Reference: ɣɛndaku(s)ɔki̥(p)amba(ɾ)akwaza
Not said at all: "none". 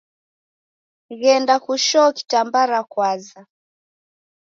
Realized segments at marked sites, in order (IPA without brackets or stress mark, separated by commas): ʃ, t, ɾ